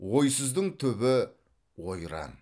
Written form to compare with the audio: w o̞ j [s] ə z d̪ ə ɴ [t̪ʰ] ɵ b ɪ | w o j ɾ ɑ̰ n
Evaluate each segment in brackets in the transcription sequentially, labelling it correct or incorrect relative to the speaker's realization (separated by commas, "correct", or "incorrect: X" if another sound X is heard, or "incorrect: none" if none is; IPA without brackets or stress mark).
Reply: correct, correct